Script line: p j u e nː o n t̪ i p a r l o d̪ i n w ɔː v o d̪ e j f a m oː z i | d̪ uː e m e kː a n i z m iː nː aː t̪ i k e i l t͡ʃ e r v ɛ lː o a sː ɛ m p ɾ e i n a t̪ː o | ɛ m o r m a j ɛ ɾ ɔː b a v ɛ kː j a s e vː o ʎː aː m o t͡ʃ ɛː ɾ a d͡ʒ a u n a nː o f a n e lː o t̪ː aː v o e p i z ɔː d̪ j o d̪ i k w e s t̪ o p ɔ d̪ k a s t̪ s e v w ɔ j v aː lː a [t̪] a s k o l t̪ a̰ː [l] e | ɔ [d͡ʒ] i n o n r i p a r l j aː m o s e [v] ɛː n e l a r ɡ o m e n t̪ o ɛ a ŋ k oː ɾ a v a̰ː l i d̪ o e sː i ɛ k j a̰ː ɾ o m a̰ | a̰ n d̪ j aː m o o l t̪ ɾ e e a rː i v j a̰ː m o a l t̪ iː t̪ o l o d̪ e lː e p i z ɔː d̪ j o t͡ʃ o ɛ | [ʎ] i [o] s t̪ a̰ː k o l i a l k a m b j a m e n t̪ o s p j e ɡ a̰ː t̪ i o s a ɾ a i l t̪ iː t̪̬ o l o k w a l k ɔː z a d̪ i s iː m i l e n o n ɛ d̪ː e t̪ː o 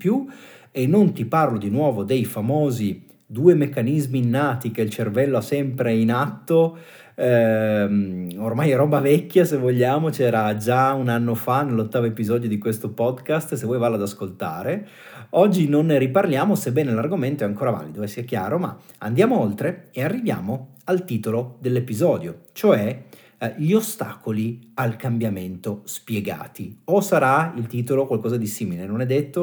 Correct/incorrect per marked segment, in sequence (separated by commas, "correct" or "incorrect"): incorrect, incorrect, incorrect, incorrect, correct, correct